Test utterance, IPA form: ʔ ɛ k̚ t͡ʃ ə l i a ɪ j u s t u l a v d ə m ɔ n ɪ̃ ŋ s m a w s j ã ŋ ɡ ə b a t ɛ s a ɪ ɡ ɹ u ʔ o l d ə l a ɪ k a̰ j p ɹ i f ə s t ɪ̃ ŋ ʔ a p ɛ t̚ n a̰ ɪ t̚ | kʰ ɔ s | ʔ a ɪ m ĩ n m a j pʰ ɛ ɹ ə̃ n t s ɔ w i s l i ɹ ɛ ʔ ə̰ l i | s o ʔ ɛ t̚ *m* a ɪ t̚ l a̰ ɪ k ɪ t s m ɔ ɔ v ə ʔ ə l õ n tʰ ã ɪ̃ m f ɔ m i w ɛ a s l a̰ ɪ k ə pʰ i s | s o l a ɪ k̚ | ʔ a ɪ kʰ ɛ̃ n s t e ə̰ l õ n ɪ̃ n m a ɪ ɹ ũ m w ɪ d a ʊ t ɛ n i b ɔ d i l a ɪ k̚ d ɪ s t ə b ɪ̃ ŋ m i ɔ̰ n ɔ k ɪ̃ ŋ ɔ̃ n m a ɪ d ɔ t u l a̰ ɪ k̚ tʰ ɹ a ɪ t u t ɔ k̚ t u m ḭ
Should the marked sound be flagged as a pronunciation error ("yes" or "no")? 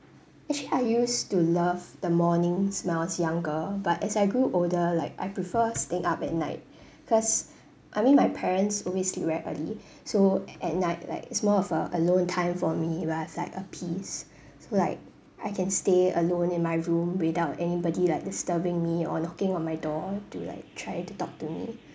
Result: yes